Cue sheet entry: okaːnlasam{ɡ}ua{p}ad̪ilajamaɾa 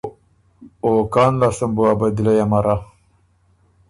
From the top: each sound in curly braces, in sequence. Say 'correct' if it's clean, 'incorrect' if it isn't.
incorrect, incorrect

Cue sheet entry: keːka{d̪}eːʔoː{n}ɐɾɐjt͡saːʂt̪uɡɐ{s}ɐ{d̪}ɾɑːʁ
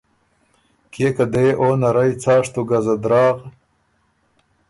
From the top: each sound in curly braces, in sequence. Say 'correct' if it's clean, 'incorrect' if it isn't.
correct, correct, incorrect, correct

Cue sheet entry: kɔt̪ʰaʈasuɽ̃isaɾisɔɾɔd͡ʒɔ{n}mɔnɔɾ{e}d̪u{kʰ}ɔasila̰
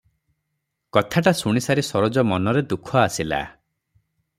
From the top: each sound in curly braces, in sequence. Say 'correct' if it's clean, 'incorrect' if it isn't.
incorrect, correct, correct

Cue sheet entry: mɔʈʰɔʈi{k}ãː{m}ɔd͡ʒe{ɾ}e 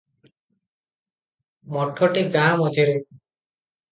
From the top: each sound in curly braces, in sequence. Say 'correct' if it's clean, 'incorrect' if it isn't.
incorrect, correct, correct

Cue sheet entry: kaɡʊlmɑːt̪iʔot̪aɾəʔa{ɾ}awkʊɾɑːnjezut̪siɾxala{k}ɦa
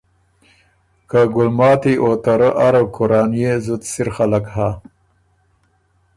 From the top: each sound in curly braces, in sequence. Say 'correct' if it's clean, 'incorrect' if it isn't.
correct, correct

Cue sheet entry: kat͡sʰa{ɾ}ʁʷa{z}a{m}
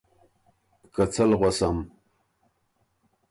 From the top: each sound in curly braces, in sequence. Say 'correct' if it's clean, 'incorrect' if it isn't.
incorrect, incorrect, correct

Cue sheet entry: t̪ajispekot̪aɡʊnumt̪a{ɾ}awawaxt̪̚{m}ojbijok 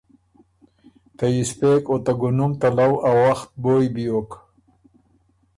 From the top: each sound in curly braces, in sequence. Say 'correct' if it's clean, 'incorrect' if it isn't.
incorrect, incorrect

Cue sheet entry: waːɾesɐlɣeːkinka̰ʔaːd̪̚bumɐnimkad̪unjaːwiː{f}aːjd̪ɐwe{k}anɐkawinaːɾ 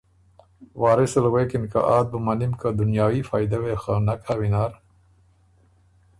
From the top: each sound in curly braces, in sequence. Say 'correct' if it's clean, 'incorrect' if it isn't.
correct, incorrect

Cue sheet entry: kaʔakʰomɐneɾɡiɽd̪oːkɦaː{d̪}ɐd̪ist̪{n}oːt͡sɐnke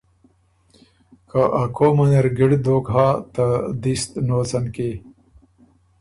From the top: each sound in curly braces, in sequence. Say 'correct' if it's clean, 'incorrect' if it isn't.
incorrect, correct

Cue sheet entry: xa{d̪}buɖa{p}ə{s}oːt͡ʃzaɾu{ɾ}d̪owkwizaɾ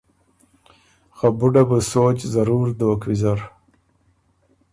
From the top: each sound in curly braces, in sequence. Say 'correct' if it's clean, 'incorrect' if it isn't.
incorrect, incorrect, correct, correct

